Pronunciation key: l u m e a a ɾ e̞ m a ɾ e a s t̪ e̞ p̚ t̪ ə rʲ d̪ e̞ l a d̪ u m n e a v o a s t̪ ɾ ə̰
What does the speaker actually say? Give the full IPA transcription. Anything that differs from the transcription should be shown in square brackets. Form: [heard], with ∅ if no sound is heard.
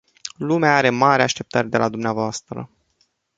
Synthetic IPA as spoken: l u m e a a ɾ e̞ m a ɾ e a [ʃ] t̪ e̞ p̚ t̪ ə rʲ d̪ e̞ l a d̪ u m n e a v o a s t̪ ɾ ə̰